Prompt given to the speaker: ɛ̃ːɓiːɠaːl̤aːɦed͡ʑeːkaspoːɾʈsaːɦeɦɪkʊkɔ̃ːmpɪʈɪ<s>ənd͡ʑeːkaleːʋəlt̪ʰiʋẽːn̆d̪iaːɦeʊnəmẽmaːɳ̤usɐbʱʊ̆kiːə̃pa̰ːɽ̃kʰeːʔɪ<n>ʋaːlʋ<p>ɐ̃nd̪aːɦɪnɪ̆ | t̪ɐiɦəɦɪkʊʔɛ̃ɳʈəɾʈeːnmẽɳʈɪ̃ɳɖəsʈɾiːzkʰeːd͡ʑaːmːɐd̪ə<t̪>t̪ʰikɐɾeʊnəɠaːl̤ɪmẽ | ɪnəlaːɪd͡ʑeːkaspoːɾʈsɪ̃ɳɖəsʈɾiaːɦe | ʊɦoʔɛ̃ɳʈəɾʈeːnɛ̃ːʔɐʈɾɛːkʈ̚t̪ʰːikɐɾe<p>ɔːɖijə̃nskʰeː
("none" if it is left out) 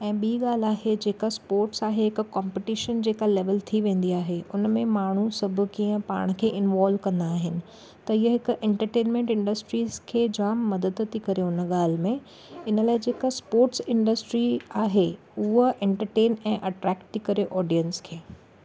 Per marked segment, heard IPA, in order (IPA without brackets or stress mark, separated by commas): ʃ, n, k, d̪, ʔ